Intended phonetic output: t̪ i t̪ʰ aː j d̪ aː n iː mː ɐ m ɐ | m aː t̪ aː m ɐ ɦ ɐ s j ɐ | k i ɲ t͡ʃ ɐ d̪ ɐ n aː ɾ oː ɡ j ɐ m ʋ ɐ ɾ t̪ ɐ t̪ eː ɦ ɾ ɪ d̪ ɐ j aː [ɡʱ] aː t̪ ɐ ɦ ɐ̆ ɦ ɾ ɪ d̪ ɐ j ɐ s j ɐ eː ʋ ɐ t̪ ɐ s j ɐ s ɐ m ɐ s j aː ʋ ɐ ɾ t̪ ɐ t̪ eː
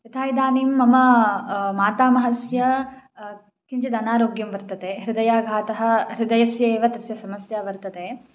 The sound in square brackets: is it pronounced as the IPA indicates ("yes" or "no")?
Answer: yes